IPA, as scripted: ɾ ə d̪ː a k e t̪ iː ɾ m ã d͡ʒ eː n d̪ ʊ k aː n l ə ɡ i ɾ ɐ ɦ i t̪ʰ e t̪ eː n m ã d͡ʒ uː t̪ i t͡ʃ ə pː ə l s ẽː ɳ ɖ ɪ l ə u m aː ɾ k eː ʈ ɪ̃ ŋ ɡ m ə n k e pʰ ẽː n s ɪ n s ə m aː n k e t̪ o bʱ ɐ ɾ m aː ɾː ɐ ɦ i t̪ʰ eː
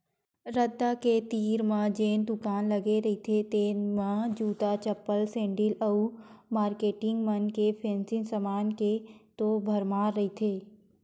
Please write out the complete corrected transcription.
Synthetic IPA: ɾ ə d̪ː a k e t̪ iː ɾ m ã d͡ʒ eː n d̪ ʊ k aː n l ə ɡ e ɾ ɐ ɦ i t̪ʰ e t̪ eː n m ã d͡ʒ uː t̪ a t͡ʃ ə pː ə l s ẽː ɳ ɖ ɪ l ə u m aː ɾ k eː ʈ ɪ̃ ŋ ɡ m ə n k e pʰ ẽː n s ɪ n s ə m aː n k e t̪ o bʱ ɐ ɾ m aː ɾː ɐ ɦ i t̪ʰ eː